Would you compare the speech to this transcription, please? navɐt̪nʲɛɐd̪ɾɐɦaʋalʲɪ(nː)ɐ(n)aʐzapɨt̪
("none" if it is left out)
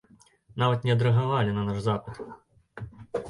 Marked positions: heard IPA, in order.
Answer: n, n

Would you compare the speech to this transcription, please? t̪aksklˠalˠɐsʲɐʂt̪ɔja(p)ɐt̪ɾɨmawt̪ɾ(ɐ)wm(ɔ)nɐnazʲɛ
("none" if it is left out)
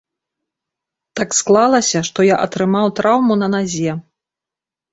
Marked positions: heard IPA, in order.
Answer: ʔ, a, u

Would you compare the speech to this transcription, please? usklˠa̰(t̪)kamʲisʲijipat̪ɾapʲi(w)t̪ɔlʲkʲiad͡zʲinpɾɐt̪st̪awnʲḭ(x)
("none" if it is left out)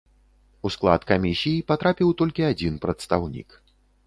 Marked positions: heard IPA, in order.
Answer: t̪, w, k

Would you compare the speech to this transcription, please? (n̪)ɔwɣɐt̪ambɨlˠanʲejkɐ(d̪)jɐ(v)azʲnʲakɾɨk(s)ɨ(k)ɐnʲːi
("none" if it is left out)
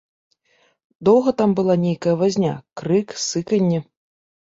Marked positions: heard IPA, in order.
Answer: d̪, none, v, s, k

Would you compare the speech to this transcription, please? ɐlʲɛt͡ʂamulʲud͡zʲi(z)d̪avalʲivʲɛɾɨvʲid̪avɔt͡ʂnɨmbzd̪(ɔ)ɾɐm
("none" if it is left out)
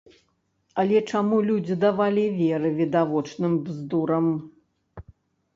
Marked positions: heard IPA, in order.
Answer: none, u

